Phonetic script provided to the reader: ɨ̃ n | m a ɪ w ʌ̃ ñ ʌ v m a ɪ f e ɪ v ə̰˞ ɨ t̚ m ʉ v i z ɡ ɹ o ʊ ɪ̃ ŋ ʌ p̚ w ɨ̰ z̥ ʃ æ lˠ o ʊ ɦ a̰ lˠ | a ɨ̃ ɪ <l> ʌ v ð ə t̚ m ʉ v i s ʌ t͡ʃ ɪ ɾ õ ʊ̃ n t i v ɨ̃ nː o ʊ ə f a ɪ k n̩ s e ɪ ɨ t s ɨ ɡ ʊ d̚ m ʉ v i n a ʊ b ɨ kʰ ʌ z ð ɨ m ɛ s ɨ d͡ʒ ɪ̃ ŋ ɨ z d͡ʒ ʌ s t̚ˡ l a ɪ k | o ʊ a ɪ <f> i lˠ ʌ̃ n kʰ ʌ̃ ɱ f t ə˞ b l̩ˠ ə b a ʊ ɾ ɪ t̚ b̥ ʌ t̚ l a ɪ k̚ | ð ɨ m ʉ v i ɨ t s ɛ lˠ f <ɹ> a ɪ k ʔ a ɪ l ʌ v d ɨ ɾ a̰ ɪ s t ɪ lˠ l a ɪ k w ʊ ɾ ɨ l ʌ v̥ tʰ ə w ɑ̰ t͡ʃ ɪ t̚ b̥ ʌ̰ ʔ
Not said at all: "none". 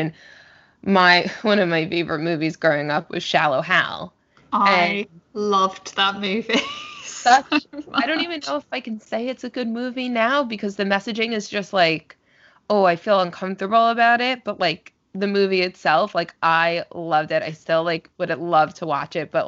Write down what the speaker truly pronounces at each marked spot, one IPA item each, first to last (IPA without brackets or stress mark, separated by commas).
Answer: l, f, l